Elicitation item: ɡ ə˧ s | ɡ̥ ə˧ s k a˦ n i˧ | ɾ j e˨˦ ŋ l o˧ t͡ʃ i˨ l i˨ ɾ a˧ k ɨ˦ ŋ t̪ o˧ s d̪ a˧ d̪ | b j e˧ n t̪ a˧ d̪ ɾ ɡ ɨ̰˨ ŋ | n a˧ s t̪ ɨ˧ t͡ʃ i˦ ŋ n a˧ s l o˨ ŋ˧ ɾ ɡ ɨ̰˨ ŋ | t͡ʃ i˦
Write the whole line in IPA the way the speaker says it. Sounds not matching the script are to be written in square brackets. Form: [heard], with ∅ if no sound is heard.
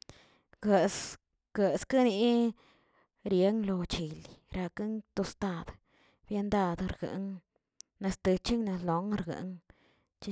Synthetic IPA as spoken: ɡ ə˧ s | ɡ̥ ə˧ s k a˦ n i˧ | ɾ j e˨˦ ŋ l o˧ t͡ʃ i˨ l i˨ ɾ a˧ k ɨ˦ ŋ t̪ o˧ s [t̪] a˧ d̪ | b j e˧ n [d̪] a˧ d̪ ɾ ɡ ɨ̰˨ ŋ | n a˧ s t̪ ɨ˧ t͡ʃ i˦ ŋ n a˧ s l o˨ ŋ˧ ɾ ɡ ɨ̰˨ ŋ | t͡ʃ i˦